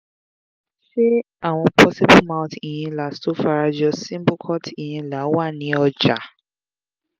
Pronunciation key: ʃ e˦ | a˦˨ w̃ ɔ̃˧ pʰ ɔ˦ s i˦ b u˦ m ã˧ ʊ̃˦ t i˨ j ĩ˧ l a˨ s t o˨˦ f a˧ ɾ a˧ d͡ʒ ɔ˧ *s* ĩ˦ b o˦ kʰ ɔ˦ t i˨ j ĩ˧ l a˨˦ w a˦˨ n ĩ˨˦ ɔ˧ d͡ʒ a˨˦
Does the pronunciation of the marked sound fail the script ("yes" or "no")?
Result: no